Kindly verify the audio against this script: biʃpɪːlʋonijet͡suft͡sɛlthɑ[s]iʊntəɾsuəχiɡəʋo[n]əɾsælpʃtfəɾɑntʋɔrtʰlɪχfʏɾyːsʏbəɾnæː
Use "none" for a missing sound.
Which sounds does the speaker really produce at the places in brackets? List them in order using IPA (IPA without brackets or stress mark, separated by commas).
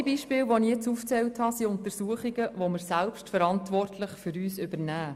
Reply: s, m